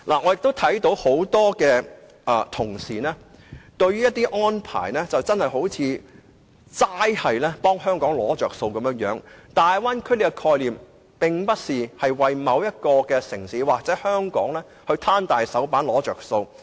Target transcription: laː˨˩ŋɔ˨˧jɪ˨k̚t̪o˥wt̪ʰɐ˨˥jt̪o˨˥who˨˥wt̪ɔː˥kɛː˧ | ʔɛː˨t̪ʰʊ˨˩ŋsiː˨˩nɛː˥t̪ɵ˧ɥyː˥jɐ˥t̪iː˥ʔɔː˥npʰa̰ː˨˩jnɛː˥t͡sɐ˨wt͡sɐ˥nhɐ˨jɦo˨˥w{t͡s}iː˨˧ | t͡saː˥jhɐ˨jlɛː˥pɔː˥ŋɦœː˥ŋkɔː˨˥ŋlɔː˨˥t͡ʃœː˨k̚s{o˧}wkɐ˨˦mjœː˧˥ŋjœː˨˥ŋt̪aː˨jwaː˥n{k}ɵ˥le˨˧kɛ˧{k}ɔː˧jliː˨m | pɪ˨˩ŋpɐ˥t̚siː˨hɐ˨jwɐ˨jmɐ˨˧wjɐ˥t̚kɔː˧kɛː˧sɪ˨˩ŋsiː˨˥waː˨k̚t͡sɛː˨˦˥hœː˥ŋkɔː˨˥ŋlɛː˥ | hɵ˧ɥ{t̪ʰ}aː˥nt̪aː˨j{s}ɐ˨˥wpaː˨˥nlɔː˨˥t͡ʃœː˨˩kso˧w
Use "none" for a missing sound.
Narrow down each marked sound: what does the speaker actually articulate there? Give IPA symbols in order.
t͡sʰ, o˧, kʰ, kʰ, t̪ʰ, s

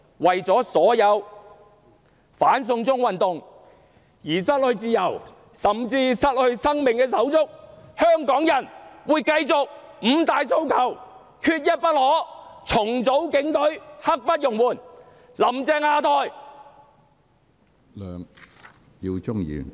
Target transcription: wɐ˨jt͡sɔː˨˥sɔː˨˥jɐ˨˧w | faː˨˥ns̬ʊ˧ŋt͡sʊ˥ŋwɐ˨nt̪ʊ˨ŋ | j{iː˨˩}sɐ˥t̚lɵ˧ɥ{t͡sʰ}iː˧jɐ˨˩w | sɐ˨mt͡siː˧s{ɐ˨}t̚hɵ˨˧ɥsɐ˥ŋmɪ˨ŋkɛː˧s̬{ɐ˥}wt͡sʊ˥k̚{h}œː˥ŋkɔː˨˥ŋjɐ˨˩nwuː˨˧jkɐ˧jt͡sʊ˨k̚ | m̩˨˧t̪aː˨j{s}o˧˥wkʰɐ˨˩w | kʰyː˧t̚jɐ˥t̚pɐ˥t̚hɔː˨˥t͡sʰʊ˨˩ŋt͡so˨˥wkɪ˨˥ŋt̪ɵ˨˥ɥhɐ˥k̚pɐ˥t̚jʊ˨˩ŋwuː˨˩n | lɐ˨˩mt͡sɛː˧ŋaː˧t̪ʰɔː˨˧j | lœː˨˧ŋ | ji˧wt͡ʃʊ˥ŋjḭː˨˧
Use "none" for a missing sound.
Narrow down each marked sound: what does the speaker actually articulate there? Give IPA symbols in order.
iː˨˩, t͡s, ɐ˥, ɐ˨˥, h, s

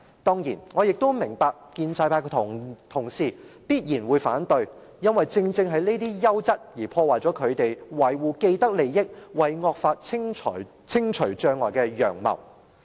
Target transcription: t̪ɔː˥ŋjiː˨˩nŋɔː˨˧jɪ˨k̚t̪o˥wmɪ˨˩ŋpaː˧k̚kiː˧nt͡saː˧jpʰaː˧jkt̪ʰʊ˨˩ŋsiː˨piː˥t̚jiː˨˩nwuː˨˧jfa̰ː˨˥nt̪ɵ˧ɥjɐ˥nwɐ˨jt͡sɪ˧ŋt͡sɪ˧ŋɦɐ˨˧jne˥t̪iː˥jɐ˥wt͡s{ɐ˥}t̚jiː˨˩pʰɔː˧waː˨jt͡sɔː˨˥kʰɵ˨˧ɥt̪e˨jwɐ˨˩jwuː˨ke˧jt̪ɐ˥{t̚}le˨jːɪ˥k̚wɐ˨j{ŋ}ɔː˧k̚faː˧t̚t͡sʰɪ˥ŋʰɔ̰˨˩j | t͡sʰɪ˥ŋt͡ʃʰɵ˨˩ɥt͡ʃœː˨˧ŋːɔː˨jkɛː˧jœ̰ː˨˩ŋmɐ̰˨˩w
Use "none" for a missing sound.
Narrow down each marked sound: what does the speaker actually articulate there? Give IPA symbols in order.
ɐ˥, k̚, ŋ

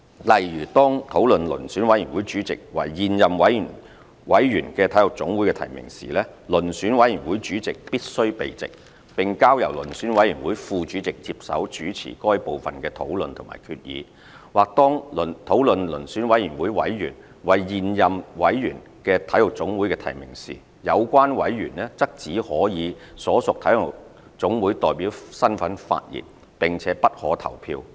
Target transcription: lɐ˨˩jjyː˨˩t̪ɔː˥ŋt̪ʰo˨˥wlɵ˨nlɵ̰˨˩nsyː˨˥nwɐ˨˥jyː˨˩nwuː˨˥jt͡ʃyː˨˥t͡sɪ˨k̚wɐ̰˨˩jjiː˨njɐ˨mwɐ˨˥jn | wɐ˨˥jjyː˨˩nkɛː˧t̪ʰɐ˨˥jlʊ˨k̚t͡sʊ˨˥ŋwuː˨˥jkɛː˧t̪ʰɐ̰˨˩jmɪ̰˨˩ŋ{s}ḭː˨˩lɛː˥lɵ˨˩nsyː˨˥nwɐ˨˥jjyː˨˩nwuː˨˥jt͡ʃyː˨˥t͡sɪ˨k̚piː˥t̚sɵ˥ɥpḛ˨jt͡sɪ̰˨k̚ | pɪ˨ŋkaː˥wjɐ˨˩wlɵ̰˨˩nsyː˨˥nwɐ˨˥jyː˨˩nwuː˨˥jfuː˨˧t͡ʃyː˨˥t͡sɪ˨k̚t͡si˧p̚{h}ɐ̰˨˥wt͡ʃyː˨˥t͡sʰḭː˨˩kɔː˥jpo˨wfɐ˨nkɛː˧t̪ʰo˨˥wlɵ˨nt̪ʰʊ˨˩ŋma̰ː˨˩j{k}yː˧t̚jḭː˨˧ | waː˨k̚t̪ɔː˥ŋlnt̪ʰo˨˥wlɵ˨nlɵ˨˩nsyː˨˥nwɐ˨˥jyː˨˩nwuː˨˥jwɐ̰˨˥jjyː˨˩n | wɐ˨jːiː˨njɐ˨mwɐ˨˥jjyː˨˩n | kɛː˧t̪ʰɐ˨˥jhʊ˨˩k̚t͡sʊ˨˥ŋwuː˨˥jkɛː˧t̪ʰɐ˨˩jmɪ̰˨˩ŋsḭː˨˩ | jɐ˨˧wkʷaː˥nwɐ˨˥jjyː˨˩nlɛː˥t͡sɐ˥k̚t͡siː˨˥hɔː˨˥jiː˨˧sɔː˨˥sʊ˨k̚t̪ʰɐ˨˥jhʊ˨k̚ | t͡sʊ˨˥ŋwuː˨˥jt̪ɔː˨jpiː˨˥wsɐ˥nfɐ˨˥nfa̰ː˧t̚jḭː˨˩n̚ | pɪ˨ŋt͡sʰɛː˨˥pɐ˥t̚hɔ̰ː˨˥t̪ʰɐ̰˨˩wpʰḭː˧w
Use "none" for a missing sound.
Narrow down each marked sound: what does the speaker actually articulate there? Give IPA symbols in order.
s, s, kʰ

